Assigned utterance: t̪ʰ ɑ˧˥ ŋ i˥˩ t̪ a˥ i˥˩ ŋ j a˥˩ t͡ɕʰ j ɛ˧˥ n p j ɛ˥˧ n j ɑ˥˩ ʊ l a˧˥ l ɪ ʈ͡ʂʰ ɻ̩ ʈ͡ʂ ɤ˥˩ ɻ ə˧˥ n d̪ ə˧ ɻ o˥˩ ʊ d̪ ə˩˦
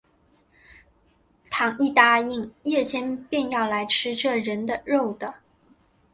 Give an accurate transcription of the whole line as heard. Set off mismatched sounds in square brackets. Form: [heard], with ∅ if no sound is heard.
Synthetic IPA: t̪ʰ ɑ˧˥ ŋ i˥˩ t̪ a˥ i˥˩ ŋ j [ɛ˥˩] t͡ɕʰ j [ɛ˥] n p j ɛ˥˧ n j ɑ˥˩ ʊ l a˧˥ [∅] ɪ ʈ͡ʂʰ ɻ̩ ʈ͡ʂ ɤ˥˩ ɻ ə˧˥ n d̪ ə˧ ɻ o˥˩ ʊ d̪ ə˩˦

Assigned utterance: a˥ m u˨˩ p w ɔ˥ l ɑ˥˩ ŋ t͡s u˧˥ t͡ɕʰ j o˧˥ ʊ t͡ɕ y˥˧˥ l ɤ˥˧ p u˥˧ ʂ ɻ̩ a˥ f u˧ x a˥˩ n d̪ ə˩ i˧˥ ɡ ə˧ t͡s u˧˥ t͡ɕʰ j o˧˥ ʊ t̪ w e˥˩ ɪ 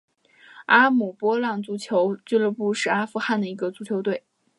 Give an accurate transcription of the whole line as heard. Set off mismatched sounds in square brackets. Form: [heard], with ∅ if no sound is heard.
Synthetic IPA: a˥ m u˨˩ p w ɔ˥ l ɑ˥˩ ŋ t͡s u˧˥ t͡ɕʰ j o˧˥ ʊ t͡ɕ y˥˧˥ l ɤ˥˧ p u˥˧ ʂ ɻ̩ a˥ f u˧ x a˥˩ n d̪ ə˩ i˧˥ ɡ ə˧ t͡s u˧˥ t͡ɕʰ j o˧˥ ʊ t̪ w e˥˩ ɪ

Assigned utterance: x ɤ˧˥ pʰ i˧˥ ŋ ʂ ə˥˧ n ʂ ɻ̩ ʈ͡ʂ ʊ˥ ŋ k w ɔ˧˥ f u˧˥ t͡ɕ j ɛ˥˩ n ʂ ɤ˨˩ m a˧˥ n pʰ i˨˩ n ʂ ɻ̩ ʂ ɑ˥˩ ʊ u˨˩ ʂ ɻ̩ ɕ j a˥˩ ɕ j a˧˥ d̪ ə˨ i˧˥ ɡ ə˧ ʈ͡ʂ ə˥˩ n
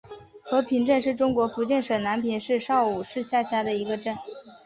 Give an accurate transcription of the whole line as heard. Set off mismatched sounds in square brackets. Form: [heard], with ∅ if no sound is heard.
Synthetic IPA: x ɤ˧˥ pʰ i˧˥ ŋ [ʈ͡ʂ] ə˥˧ n ʂ ɻ̩ ʈ͡ʂ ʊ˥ ŋ k w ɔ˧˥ f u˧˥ t͡ɕ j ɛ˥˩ n ʂ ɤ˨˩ [n] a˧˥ n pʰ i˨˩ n ʂ ɻ̩ ʂ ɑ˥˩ ʊ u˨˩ ʂ ɻ̩ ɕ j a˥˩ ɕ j [a˥] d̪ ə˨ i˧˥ ɡ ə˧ ʈ͡ʂ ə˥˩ n

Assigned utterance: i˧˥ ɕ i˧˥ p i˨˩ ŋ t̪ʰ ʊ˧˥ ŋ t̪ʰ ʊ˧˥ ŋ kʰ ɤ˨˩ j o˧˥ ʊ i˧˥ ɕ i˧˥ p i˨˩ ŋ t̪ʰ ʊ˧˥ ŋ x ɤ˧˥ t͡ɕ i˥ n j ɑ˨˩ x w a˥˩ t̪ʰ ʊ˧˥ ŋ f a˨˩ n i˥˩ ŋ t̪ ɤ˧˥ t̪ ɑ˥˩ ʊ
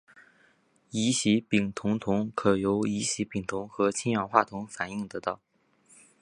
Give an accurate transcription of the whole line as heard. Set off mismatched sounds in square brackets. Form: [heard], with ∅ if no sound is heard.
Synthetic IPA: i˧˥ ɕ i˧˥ p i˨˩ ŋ t̪ʰ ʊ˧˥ ŋ t̪ʰ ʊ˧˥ ŋ kʰ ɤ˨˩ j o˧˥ ʊ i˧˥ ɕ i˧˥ p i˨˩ ŋ t̪ʰ ʊ˧˥ ŋ x ɤ˧˥ [t͡ɕʰ] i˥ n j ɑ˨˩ x w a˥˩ t̪ʰ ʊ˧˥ ŋ f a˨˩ n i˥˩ ŋ t̪ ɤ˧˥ t̪ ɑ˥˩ ʊ

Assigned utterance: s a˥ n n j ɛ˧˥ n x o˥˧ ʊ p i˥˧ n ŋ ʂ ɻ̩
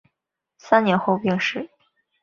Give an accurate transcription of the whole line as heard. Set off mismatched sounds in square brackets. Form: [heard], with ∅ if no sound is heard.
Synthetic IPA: s a˥ n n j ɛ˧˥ n x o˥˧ ʊ p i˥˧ [∅] ŋ ʂ ɻ̩

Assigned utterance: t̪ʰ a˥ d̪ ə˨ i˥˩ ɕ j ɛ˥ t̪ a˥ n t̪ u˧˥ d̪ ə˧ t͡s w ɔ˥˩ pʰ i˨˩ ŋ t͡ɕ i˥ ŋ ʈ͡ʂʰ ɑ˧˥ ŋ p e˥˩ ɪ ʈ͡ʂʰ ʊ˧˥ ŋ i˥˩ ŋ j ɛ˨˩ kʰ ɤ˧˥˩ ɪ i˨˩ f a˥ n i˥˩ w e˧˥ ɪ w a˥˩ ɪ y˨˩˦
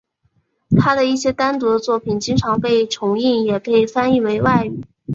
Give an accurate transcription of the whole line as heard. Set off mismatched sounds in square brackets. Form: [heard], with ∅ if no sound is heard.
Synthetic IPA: t̪ʰ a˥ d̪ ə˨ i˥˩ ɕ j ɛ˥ t̪ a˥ n t̪ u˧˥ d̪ ə˧ t͡s w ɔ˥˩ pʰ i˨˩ [n] t͡ɕ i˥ ŋ ʈ͡ʂʰ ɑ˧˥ ŋ p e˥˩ ɪ ʈ͡ʂʰ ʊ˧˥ ŋ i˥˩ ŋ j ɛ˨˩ kʰ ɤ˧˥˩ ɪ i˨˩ f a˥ n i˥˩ w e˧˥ ɪ w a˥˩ ɪ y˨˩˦

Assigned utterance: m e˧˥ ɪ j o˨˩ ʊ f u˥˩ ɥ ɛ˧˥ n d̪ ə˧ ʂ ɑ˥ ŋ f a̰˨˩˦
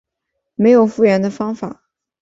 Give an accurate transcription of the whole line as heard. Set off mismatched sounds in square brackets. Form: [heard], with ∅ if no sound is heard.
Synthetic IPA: m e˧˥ ɪ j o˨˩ ʊ f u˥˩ ɥ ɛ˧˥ n d̪ ə˧ [f] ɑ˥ ŋ f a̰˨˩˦

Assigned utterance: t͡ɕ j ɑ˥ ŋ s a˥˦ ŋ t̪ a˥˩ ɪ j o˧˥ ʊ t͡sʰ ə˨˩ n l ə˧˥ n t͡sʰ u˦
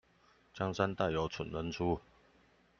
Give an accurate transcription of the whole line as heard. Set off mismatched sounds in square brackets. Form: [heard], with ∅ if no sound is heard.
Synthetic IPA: t͡ɕ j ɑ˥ ŋ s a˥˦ [n] t̪ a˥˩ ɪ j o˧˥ ʊ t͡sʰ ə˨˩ n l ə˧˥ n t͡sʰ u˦

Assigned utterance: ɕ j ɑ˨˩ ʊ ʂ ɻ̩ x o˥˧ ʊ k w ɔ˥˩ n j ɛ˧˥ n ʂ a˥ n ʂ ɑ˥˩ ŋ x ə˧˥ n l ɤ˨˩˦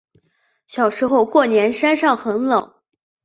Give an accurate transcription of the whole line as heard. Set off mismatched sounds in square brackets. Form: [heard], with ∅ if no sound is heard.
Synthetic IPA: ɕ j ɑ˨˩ ʊ ʂ ɻ̩ x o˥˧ ʊ k w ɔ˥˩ n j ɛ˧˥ n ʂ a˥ n ʂ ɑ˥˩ ŋ x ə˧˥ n l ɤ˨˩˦

